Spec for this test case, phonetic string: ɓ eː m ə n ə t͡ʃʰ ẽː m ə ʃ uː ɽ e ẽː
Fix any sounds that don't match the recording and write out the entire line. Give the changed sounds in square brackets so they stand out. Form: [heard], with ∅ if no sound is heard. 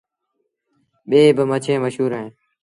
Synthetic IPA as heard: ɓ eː [b] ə [m] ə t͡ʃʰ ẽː m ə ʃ uː [ɾ] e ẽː